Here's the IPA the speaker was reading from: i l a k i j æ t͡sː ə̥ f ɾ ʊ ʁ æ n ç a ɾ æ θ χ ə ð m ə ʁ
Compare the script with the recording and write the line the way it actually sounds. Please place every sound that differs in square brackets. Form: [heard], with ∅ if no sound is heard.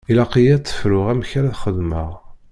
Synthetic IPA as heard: i l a [q] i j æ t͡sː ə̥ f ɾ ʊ ʁ æ [m] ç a ɾ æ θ χ ə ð m ə ʁ